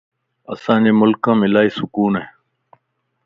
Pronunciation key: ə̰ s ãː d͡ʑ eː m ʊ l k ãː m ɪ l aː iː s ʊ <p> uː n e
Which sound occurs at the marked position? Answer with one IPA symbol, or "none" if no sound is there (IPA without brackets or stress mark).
k